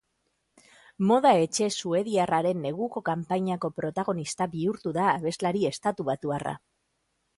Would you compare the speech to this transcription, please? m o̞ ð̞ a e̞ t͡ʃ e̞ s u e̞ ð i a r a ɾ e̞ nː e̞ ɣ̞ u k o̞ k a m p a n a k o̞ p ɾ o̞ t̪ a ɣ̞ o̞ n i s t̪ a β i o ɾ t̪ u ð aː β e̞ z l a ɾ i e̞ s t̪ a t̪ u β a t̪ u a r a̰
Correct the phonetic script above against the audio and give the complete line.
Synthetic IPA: m o̞ ð̞ a e̞ t͡ʃ e̞ s u e̞ ð i a r a ɾ e̞ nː e̞ ɣ̞ u k o̞ k a m p a ɲ a k o̞ p ɾ o̞ t̪ a ɣ̞ o̞ n i s t̪ a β i u ɾ t̪ u ð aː β e̞ z l a ɾ i e̞ s t̪ a t̪ u β a t̪ u a r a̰